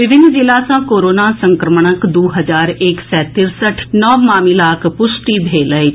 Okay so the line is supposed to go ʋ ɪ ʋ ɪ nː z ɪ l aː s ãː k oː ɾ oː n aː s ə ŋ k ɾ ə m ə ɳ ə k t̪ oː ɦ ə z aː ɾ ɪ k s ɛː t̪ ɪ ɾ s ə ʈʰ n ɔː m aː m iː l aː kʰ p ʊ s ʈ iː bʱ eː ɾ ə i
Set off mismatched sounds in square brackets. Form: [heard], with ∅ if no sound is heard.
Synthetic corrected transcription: ʋ ɪ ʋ ɪ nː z ɪ l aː s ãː k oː ɾ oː n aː s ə ŋ k ɾ ə m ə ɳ ə k [d̪] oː ɦ ə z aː ɾ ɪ k s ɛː t̪ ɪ ɾ s ə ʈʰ n ɔː m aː m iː l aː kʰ p ʊ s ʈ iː bʱ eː [l] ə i